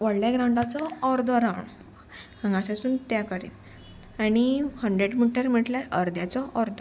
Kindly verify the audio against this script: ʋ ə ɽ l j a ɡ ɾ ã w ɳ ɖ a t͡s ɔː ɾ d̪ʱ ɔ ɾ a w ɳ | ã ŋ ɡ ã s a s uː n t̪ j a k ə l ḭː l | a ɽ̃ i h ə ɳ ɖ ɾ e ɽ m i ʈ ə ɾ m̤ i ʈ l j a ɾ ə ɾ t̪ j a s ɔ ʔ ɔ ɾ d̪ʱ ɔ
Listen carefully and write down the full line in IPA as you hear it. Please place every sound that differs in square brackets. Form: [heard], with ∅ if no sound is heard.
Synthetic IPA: ʋ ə ɽ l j a ɡ ɾ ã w ɳ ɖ a t͡s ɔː ɾ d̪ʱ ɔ ɾ a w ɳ | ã ŋ ɡ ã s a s uː n t̪ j a k ə [ɾ] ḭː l | a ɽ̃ i h ə ɳ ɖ ɾ e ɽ m i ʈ ə ɾ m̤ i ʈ l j a ɾ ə ɾ [d̪] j a [t͡s] ɔ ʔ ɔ ɾ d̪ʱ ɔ